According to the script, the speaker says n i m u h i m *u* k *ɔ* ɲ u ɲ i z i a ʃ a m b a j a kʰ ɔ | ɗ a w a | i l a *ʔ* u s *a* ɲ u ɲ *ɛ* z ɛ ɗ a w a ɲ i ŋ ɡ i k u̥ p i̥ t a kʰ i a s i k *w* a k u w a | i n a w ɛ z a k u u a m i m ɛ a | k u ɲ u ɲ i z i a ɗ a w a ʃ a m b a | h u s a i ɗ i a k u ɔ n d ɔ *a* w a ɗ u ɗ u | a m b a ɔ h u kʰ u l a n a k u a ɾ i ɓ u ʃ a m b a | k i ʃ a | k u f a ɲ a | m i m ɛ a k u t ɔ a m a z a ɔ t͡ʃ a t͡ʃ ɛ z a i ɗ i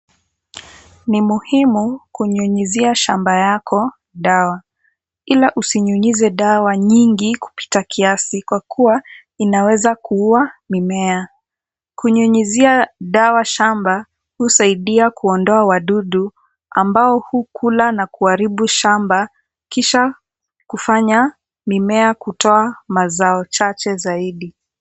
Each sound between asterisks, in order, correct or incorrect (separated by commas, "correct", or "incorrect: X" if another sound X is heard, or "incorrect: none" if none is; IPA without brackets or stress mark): correct, incorrect: u, correct, incorrect: i, incorrect: i, correct, correct